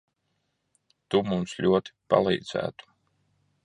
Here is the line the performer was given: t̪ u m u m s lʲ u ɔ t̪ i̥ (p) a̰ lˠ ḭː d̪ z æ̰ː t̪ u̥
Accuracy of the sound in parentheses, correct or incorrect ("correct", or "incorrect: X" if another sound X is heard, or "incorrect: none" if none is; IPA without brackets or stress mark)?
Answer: correct